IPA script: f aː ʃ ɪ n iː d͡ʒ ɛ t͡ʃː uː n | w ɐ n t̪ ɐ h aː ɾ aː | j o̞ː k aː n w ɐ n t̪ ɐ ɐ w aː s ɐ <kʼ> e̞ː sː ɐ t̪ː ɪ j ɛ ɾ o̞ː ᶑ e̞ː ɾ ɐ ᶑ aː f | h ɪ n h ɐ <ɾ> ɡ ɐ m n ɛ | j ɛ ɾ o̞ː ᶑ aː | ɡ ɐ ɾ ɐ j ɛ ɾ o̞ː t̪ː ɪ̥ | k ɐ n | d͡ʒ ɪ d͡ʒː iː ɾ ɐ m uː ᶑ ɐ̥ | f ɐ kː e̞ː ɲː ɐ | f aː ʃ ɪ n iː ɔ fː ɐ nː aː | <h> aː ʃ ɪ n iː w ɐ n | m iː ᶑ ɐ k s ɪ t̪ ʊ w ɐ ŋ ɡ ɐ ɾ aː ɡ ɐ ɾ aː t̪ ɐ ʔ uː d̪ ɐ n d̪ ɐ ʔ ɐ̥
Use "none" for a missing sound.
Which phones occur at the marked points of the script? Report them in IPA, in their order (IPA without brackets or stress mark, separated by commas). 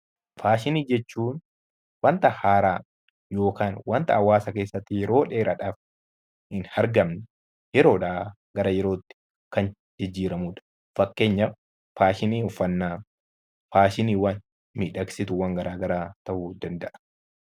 k, ɾ, f